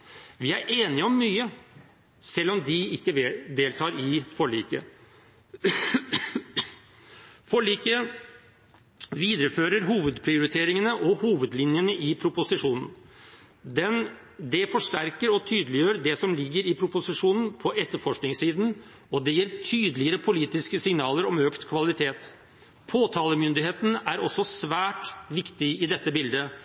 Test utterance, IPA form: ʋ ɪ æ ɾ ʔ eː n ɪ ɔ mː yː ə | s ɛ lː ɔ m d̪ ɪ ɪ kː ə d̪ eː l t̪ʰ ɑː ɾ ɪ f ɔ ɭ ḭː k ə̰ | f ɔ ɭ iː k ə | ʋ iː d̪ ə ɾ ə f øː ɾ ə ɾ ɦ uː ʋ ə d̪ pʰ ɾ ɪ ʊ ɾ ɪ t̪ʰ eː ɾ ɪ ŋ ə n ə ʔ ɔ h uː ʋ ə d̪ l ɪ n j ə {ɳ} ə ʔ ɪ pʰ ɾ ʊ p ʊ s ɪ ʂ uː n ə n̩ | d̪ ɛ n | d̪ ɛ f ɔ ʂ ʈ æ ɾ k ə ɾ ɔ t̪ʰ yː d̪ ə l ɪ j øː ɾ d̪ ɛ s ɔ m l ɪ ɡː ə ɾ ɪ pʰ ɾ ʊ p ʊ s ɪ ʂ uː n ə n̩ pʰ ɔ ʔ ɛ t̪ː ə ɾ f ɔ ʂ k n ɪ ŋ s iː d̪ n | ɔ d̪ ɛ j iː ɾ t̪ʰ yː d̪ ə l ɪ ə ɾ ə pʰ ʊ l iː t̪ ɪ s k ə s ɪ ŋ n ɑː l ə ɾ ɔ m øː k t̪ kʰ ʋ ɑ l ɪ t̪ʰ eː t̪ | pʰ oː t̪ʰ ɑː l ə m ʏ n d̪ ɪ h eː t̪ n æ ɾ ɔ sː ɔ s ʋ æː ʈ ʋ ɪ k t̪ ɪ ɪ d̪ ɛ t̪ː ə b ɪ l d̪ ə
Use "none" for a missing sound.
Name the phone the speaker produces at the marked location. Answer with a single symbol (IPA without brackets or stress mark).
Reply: n